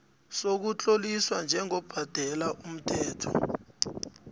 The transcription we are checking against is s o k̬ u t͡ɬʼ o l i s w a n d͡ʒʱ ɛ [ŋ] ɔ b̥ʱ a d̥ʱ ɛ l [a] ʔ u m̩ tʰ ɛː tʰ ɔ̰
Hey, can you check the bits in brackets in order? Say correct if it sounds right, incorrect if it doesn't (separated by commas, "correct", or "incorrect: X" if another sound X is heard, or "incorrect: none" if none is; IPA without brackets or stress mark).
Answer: correct, correct